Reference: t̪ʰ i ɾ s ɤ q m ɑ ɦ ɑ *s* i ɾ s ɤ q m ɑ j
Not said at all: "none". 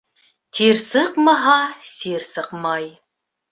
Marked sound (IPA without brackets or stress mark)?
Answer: s